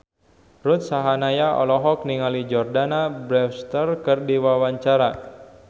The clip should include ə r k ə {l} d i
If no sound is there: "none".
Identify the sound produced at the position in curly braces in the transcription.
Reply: r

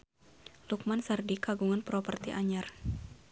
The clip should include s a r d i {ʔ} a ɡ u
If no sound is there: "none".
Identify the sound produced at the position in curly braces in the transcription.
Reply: k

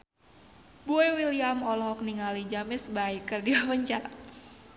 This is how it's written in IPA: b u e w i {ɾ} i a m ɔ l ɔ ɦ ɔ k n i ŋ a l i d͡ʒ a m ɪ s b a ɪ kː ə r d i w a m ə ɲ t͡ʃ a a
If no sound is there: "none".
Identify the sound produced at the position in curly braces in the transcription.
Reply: l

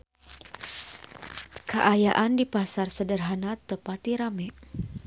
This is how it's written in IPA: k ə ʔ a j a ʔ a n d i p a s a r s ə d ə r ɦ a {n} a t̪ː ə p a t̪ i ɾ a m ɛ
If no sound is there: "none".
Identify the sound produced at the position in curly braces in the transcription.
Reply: n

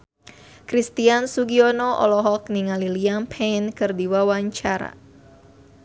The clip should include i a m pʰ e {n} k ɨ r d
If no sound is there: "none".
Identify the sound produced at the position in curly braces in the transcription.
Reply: n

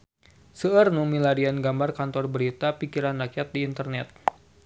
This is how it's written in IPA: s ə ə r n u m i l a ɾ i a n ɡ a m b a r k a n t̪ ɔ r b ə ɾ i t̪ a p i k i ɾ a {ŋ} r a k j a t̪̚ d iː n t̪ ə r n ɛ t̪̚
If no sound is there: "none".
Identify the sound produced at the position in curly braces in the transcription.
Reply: n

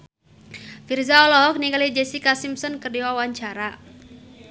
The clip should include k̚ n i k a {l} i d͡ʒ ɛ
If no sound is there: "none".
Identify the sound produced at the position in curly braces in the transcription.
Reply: l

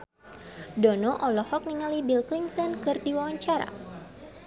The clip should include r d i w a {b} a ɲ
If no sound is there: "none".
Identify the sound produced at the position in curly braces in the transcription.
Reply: w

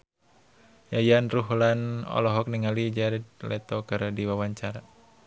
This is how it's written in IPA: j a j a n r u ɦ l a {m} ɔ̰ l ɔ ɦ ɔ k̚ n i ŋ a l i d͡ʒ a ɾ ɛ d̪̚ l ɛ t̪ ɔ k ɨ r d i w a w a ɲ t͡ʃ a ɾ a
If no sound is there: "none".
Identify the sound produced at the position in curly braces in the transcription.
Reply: n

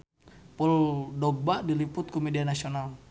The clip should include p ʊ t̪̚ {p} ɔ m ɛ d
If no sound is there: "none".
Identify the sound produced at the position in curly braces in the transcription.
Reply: k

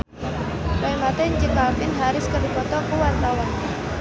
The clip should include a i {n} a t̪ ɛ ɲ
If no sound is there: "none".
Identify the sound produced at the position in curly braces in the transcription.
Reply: m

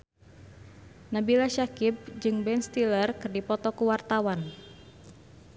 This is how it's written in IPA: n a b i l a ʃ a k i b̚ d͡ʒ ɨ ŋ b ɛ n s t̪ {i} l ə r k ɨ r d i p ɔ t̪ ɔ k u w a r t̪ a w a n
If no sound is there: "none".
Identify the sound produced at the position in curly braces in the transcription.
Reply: i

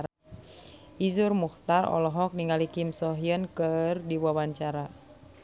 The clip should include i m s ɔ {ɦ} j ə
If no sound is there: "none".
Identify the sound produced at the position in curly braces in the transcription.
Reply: ɦ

